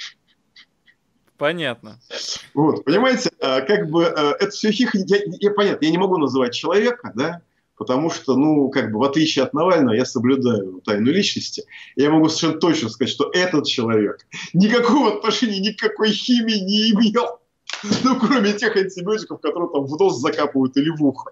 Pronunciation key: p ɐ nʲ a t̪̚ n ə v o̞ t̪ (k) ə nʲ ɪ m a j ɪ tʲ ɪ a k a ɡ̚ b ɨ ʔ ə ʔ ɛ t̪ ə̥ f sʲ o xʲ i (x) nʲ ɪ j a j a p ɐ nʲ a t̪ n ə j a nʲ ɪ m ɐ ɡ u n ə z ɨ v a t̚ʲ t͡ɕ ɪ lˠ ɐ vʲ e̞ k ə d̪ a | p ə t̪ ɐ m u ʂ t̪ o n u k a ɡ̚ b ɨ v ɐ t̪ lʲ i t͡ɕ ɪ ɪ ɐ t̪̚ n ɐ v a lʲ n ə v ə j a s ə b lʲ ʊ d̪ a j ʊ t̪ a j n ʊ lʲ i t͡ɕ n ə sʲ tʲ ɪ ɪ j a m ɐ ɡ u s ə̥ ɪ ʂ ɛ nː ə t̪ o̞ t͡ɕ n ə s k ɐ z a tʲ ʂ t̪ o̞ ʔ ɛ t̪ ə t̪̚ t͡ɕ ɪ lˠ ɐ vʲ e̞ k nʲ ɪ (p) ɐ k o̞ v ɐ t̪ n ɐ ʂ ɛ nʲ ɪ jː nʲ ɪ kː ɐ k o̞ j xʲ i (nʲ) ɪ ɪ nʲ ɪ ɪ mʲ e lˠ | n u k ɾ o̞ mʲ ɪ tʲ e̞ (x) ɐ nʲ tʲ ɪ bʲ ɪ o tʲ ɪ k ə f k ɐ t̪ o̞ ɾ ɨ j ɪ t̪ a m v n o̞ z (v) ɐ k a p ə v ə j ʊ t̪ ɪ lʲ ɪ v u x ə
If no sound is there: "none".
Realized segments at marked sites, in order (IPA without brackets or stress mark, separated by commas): p, x, k, mʲ, x, z